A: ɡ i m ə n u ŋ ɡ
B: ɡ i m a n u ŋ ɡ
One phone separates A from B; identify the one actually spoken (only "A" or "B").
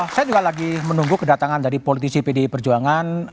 A